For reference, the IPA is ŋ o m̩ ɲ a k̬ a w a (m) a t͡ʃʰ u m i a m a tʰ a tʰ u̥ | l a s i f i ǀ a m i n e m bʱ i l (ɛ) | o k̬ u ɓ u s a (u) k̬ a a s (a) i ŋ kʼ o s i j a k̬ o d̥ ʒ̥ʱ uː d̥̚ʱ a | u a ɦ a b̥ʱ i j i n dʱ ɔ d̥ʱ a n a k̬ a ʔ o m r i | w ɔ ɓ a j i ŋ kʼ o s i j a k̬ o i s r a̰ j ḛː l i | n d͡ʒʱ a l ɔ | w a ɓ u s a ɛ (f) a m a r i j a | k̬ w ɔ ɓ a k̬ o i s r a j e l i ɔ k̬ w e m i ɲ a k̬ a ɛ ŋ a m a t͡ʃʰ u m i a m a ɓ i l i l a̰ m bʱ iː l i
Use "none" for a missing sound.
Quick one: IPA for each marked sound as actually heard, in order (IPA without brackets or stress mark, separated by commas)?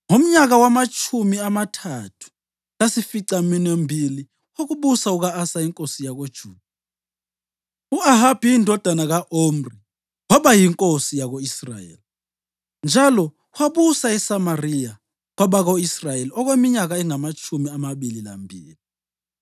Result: m, i, u, a, s